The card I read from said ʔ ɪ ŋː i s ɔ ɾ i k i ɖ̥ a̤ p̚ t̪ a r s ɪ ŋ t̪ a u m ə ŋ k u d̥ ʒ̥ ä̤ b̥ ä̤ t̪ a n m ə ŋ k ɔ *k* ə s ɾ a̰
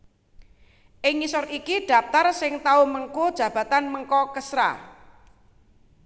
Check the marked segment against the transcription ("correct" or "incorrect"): correct